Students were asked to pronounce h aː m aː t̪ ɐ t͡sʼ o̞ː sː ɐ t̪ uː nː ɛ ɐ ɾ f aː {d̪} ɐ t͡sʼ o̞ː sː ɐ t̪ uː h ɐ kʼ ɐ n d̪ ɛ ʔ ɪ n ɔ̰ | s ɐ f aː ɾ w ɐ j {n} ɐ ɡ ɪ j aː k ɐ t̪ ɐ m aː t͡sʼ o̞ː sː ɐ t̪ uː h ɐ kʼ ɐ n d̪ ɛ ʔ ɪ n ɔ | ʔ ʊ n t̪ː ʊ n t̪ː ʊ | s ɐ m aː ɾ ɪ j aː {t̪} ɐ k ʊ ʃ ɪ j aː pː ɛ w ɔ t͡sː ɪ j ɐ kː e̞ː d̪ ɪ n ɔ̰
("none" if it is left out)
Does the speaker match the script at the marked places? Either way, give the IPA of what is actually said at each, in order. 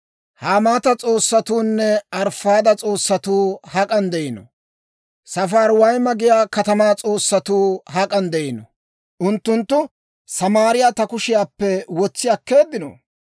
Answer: d̪, m, t̪

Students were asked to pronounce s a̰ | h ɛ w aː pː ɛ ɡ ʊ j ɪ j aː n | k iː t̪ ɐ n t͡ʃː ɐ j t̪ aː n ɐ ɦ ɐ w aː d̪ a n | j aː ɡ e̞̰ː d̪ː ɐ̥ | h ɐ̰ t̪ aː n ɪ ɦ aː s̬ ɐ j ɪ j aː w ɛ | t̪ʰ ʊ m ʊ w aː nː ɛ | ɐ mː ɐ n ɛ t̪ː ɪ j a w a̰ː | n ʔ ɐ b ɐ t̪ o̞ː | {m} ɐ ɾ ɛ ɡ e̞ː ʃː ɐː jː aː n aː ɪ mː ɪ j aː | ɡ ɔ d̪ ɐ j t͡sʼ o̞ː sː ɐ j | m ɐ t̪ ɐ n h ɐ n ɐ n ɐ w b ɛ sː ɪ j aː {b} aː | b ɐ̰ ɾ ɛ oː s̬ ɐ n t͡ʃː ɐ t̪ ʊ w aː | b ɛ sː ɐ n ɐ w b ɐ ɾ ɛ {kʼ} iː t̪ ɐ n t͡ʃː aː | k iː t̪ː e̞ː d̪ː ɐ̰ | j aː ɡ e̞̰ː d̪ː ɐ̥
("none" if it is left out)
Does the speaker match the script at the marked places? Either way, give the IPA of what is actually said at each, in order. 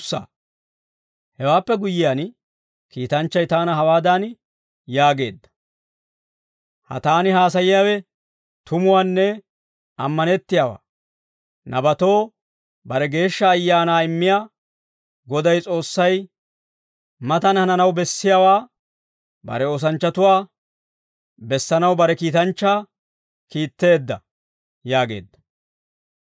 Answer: b, w, k

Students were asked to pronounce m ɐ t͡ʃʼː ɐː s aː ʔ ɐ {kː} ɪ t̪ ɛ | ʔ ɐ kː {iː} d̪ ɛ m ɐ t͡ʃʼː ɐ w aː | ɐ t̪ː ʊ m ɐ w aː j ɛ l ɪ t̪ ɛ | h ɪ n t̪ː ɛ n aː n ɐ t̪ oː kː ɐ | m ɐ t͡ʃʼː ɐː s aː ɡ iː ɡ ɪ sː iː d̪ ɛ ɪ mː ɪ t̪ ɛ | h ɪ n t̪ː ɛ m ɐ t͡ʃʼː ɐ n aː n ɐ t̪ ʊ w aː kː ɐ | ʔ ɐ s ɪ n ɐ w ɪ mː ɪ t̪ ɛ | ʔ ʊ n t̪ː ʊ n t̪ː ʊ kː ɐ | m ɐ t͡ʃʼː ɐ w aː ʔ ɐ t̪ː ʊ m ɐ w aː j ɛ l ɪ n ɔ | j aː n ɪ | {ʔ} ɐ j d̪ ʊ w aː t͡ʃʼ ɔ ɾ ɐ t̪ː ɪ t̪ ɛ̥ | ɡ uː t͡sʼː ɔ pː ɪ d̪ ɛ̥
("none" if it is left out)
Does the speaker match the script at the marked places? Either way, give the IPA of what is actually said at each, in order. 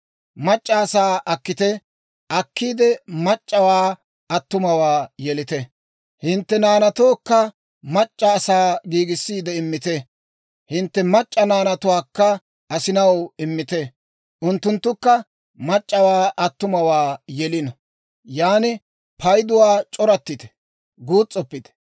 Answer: kː, iː, p

